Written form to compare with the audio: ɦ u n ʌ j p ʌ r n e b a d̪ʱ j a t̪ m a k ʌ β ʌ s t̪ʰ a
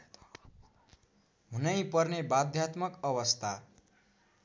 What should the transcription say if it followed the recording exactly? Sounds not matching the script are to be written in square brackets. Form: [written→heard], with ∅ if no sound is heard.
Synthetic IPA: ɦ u n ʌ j p ʌ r n e b a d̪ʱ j a t̪ m [a→ʌ] k ʌ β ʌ s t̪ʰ a